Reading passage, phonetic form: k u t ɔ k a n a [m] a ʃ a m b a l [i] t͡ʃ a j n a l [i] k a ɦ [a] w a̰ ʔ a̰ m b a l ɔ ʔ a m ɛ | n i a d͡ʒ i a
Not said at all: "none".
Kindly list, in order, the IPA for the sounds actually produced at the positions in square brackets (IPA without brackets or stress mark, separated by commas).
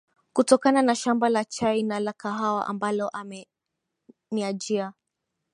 n, a, a, a